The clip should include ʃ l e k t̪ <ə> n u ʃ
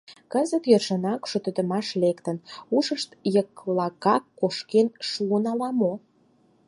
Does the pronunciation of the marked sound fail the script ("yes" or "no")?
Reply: no